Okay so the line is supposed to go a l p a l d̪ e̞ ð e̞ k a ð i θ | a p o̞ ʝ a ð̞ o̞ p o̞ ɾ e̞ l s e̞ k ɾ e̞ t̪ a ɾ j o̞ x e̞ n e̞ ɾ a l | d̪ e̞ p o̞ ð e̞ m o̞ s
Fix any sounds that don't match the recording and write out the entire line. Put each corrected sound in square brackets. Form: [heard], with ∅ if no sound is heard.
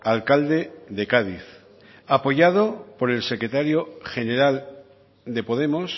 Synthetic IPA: a l [k] a l d̪ e̞ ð e̞ k a ð i θ | a p o̞ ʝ a ð̞ o̞ p o̞ ɾ e̞ l s e̞ k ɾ e̞ t̪ a ɾ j o̞ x e̞ n e̞ ɾ a l | d̪ e̞ p o̞ ð e̞ m o̞ s